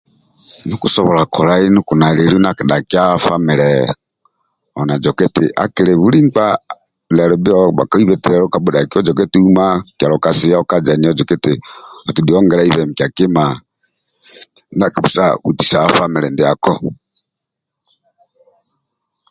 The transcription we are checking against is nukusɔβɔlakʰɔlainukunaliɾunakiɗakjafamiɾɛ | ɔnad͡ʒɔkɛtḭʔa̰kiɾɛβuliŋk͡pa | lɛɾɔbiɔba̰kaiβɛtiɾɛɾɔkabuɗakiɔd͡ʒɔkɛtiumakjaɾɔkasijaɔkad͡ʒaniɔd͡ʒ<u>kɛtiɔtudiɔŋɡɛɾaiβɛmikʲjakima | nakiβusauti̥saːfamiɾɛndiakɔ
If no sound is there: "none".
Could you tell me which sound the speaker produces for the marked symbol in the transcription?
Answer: ɔ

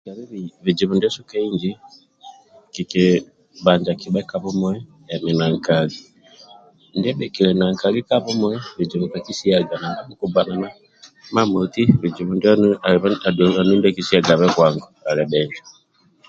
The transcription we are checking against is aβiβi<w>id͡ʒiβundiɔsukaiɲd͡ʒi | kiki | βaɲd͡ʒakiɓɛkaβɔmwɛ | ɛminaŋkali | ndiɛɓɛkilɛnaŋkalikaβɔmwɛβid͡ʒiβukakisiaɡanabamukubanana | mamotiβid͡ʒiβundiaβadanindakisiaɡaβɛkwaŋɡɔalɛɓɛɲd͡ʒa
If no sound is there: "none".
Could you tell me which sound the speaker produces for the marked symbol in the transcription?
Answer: β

